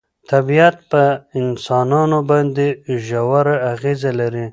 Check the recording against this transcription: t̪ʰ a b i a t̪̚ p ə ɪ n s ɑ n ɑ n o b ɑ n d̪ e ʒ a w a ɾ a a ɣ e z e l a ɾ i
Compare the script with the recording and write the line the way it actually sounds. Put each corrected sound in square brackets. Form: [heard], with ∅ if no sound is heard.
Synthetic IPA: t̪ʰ a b i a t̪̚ p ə ɪ n s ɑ n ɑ n o b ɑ n d̪ e ʒ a w a ɾ a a ɣ e z [a] l a ɾ i